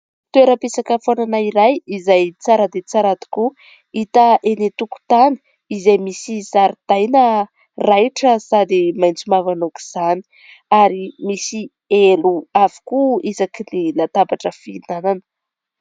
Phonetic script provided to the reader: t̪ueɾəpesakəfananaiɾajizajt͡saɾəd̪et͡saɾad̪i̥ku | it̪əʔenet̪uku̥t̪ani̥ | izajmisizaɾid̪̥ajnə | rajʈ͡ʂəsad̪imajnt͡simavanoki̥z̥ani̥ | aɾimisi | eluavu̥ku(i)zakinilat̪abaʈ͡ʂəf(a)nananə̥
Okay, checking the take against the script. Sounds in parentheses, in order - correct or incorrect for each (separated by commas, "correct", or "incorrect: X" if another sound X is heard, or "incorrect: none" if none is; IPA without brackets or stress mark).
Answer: correct, incorrect: i